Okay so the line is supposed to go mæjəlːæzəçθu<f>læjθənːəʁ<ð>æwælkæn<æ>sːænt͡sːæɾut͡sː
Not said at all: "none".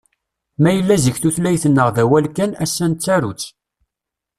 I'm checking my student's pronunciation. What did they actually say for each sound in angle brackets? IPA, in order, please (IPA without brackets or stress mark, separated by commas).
θ, ð, æ